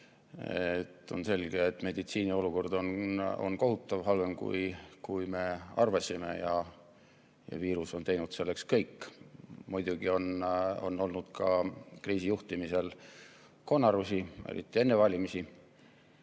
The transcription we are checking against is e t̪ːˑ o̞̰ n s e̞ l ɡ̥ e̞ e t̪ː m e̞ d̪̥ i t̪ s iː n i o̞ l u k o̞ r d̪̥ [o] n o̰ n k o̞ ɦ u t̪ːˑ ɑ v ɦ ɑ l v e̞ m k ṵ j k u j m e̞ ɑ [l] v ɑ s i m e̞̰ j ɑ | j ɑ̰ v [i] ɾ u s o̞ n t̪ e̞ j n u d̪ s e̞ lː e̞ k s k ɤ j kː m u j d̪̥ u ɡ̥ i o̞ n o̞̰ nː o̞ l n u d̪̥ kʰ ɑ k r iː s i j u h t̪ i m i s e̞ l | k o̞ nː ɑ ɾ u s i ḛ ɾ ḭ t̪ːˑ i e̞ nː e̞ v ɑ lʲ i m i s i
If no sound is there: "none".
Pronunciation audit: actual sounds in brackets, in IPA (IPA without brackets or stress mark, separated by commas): o, r, iː